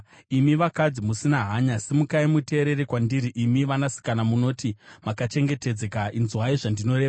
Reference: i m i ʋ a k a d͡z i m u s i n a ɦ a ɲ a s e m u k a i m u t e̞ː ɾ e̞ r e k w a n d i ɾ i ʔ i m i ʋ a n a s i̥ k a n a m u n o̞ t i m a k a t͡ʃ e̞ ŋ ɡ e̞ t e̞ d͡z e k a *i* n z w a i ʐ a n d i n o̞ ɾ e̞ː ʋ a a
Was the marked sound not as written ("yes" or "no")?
no